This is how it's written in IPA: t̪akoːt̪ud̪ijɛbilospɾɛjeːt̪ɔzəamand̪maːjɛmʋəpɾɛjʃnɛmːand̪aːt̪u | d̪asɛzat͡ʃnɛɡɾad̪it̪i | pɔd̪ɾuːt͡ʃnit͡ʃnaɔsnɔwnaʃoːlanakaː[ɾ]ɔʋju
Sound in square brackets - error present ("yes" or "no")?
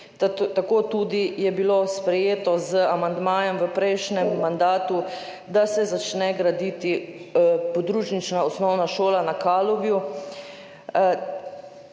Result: yes